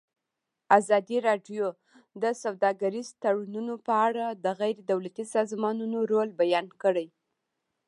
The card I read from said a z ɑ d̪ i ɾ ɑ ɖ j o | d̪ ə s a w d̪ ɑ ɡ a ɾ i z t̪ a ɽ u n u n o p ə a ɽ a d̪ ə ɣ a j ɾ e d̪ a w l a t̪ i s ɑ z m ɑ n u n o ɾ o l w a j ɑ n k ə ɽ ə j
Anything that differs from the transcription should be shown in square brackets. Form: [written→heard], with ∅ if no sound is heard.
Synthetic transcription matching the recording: a z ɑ d̪ i ɾ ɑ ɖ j o | d̪ ə s a w d̪ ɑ ɡ a ɾ i z t̪ a ɽ u n u n o p ə a ɽ a d̪ ə ɣ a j ɾ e d̪ a w l a t̪ i s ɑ z m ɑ n u n o ɾ o l [w→b] a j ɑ n k ə ɽ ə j